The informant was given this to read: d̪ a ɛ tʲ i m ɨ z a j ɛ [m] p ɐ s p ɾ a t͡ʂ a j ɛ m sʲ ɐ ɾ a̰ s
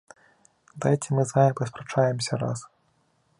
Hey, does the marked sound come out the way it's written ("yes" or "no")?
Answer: no